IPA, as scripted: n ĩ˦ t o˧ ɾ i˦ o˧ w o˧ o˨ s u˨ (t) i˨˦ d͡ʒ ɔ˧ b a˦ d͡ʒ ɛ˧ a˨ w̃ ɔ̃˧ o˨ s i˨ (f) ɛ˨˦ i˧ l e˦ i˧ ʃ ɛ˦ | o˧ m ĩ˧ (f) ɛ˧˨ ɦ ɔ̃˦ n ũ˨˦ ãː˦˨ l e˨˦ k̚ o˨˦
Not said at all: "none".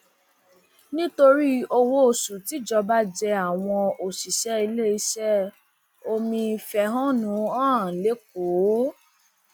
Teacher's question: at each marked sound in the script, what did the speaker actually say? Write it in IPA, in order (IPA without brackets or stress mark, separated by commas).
t, ʃ, f